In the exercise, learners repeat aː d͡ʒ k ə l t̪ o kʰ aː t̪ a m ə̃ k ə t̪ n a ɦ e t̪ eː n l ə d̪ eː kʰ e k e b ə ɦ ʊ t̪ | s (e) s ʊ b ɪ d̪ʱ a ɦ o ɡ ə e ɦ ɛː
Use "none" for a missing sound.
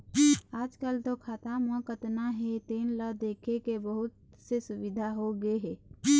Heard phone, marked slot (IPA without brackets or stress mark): e